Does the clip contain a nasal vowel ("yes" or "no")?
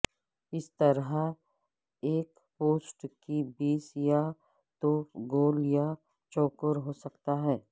no